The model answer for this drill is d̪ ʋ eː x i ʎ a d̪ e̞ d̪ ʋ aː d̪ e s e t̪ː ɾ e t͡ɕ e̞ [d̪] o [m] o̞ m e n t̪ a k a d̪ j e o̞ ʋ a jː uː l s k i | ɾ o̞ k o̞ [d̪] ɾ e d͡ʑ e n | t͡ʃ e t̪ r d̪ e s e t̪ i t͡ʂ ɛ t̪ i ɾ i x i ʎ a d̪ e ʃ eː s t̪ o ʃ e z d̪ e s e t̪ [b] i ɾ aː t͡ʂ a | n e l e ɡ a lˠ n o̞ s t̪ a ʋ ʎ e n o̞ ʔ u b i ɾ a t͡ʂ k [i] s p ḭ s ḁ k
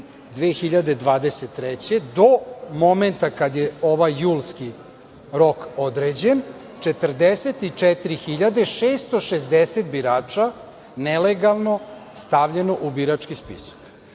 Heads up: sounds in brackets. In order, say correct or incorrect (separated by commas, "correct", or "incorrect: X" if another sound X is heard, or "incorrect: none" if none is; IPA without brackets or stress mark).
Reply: correct, correct, correct, correct, correct